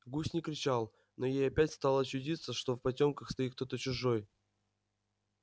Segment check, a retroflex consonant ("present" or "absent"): present